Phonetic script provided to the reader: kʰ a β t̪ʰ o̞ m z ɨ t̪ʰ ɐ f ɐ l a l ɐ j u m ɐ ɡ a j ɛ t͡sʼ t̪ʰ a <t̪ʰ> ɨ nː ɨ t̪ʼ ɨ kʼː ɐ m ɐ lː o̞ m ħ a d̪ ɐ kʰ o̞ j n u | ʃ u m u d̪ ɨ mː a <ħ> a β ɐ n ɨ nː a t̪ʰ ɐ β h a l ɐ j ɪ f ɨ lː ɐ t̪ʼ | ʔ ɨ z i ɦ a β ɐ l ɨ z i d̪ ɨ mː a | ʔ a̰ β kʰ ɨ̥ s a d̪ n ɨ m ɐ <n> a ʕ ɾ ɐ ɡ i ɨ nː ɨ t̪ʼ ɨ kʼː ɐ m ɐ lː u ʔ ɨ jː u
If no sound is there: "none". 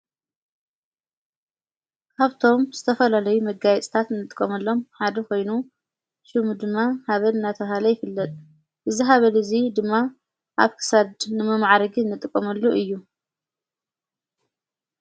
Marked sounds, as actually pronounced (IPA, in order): t̪, h, m

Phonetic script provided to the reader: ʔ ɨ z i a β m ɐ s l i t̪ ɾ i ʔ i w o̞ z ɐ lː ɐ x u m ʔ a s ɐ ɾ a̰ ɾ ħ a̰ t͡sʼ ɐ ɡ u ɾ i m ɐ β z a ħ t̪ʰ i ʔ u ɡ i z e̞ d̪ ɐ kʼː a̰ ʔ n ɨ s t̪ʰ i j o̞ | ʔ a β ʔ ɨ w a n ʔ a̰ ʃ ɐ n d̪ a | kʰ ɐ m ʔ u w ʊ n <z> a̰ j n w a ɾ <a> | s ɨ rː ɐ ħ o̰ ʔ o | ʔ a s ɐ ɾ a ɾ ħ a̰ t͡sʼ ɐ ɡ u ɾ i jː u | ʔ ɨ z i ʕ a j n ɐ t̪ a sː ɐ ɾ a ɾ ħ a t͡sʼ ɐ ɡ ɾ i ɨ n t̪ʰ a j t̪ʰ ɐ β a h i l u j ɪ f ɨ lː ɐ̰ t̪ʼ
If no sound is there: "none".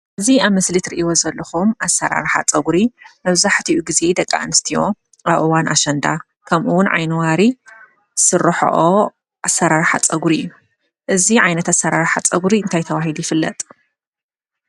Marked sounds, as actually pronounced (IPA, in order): ʕ, i

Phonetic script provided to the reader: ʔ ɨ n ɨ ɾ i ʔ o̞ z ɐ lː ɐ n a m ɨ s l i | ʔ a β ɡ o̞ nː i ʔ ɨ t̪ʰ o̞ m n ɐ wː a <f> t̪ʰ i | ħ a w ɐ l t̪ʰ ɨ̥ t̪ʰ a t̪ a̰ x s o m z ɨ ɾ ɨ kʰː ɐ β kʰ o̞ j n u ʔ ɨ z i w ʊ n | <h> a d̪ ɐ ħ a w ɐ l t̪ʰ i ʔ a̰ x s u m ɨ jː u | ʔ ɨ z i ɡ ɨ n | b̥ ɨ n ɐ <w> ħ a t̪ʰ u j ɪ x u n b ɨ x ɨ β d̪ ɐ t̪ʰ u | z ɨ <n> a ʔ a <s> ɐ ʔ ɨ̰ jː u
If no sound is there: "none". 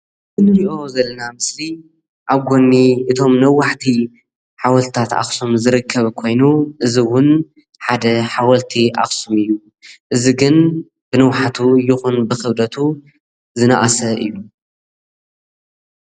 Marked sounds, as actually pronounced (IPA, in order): ħ, ħ, w, n, s

